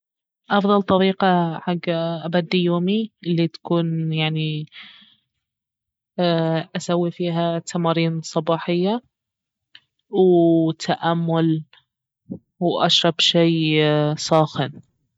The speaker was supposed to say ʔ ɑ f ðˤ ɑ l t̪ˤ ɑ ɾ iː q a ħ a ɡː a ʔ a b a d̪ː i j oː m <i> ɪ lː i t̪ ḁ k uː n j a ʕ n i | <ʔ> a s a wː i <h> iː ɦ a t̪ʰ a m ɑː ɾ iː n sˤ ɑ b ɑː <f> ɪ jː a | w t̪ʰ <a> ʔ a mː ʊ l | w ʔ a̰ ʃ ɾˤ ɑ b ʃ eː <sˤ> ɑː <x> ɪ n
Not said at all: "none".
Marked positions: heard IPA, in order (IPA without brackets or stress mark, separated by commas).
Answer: i, ʔ, f, ħ, a, sˤ, x